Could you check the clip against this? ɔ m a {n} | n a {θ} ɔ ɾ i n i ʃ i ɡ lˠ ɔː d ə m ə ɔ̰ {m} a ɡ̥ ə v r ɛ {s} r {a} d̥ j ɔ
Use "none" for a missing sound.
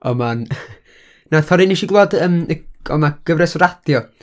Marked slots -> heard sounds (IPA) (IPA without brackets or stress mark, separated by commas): n, θ, m, s, a